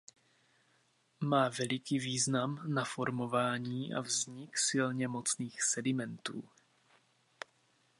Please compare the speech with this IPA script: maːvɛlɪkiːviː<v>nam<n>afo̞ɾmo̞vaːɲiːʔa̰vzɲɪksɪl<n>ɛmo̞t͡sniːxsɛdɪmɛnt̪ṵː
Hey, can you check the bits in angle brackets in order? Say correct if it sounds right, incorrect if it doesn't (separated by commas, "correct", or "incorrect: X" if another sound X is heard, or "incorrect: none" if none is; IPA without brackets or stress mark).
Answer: incorrect: z, correct, incorrect: ɲ